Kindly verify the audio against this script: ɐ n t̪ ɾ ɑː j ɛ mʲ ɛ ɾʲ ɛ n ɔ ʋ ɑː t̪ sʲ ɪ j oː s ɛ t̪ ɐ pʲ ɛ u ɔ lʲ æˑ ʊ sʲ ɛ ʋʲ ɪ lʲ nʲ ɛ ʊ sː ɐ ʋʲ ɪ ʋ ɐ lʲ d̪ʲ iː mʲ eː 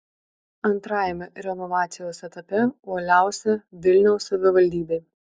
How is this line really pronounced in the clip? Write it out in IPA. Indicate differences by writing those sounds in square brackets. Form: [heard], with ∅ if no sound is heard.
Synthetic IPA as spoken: ɐ n t̪ ɾ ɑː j ɛ mʲ ɛ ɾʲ ɛ n ɔ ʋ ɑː t̪ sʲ ɪ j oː s ɛ t̪ ɐ pʲ ɛ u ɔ lʲ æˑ ʊ sʲ ɛ ʋʲ ɪ lʲ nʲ ɛ ʊ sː ɐ ʋʲ ɪ ʋ ɐ lʲ d̪ʲ iː [bʲ] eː